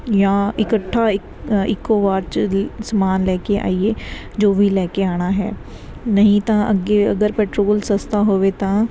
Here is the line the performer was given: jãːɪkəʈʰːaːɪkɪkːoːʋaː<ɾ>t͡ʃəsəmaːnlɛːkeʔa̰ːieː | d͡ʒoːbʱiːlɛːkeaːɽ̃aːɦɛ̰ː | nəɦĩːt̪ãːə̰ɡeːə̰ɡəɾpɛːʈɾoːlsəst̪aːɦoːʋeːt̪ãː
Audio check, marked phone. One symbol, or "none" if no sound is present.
ɾ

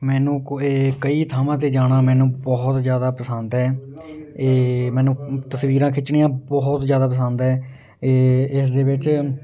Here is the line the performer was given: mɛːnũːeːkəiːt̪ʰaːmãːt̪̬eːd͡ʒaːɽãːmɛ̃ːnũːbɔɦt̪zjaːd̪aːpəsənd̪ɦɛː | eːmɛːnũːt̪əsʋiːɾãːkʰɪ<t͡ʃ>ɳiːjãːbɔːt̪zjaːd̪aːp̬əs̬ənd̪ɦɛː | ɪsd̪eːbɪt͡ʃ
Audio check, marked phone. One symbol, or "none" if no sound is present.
t͡ʃ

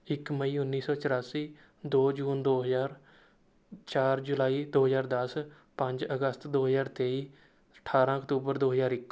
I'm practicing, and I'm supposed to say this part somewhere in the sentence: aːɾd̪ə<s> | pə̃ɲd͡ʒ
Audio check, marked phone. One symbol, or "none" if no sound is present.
s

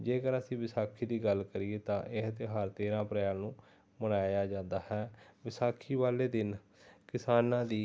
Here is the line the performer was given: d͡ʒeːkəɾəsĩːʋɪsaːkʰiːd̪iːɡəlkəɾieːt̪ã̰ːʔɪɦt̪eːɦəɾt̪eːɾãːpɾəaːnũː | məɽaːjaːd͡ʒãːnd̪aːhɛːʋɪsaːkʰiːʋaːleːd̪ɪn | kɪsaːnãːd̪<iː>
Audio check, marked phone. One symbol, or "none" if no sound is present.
iː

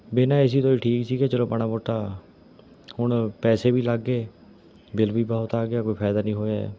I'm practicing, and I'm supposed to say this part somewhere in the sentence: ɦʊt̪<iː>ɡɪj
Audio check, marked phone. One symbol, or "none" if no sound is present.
aː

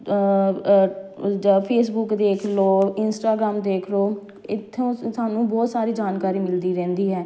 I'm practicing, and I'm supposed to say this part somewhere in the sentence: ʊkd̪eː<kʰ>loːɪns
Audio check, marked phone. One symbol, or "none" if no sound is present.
kʰ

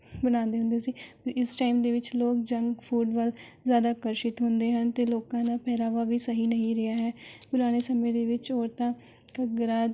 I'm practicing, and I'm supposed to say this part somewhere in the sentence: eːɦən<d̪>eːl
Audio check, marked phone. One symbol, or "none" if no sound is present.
t̪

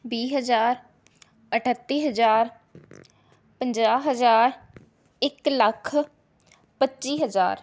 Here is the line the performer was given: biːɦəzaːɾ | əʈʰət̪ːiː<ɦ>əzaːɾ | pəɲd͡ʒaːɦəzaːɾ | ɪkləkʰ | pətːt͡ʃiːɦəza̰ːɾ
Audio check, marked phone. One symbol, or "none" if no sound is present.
ɦ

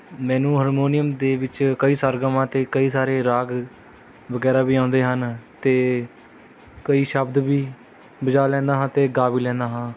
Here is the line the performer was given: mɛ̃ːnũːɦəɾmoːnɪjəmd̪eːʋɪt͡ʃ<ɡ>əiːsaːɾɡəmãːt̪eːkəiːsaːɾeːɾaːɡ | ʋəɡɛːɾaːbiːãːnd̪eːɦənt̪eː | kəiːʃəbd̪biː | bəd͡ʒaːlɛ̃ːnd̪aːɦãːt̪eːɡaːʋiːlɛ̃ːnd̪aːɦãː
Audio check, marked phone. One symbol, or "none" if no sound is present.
k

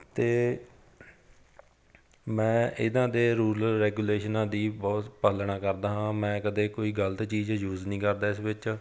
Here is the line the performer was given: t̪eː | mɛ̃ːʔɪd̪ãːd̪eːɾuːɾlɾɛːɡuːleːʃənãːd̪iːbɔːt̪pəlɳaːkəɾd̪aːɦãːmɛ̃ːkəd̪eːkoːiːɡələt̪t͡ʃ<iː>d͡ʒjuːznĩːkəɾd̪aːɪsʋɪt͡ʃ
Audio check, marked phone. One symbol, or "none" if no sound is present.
iː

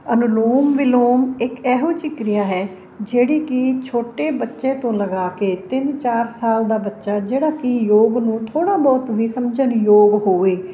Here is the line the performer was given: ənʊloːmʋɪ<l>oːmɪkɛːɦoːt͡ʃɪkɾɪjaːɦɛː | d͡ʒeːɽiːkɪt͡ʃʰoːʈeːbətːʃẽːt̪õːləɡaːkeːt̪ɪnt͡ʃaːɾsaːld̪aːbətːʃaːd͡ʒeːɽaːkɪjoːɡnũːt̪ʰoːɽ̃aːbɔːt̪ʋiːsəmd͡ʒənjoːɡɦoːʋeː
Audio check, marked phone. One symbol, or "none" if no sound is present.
l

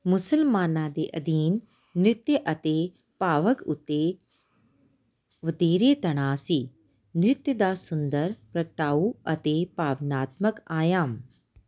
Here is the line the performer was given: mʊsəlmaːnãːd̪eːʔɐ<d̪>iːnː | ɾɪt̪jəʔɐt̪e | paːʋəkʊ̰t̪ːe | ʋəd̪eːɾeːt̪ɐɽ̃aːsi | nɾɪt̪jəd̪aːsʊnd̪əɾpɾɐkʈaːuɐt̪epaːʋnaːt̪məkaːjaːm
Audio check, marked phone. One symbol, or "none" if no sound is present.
d̪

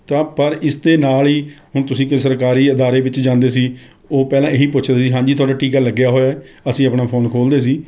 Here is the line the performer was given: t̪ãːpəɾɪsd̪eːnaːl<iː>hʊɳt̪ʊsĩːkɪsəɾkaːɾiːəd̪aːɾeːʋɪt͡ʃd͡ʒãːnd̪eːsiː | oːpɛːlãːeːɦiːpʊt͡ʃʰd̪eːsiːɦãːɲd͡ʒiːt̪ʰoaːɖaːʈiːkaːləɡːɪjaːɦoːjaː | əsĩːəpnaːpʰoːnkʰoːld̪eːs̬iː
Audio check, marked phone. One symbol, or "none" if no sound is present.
iː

